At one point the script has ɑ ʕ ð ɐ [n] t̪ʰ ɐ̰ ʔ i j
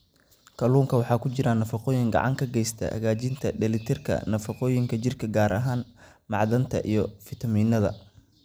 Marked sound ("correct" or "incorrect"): correct